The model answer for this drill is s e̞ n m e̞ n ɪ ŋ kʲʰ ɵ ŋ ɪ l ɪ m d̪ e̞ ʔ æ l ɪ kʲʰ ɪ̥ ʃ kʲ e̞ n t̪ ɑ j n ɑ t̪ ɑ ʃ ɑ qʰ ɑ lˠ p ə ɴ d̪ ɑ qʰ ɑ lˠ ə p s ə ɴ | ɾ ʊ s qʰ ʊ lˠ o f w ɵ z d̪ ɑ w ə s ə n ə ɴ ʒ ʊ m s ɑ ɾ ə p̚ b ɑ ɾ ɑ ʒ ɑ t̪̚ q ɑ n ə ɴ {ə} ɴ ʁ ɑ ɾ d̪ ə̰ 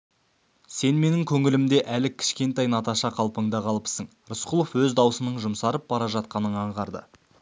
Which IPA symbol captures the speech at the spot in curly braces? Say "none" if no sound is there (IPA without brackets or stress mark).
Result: ɑ